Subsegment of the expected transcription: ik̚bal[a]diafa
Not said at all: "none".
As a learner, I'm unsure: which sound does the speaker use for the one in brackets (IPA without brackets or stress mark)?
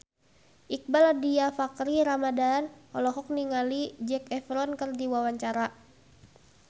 a